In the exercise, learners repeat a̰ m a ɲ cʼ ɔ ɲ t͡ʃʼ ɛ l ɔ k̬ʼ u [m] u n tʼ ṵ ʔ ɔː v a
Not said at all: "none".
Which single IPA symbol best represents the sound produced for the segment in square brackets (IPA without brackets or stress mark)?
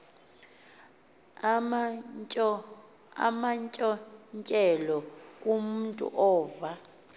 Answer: m